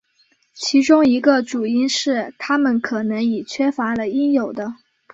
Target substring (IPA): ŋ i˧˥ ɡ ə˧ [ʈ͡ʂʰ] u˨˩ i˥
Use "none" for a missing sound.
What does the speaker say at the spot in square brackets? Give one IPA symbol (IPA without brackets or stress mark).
ʈ͡ʂ